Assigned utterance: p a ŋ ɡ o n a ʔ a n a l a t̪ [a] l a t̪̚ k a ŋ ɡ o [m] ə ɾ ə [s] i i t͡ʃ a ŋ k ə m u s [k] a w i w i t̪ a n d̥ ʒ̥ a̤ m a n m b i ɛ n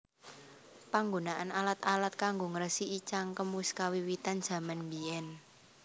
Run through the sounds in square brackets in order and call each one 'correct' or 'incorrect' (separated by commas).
correct, incorrect, correct, correct